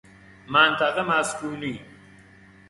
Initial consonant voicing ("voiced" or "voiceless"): voiced